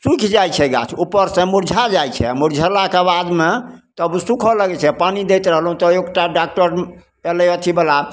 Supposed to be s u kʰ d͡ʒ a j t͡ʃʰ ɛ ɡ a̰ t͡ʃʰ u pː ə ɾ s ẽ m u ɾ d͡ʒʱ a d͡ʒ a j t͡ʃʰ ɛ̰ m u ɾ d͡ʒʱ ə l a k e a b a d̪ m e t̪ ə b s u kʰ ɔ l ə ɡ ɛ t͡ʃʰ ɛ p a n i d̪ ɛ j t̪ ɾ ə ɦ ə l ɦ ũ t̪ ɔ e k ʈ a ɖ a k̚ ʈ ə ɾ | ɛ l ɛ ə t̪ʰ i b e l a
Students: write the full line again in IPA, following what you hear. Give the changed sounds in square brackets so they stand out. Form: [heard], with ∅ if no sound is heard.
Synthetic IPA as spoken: s u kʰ d͡ʒ a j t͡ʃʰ ɛ ɡ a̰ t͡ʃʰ u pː ə ɾ s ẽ m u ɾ d͡ʒʱ a d͡ʒ a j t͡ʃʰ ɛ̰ m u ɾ d͡ʒʱ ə l a k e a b a d̪ m e t̪ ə b s u kʰ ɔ l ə ɡ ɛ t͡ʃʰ ɛ p a n i d̪ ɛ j t̪ ɾ ə ɦ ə l ɦ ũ t̪ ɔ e k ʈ a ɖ a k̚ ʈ ə ɾ | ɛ l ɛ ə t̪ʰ i b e l a